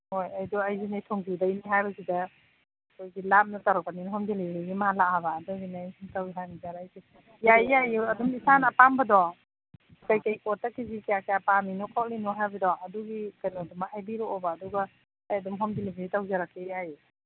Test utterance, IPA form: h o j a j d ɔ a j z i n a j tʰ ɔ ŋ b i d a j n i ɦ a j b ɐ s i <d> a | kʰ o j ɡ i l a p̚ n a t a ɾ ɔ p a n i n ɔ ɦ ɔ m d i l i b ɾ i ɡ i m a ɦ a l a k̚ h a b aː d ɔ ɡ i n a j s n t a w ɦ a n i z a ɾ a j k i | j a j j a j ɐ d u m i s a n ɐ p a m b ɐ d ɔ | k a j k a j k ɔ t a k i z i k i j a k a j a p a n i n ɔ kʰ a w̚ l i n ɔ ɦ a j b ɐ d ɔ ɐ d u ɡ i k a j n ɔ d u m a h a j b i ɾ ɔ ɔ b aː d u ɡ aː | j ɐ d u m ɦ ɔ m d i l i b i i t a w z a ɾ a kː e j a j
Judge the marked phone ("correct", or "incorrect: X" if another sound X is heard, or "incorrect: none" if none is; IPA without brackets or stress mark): correct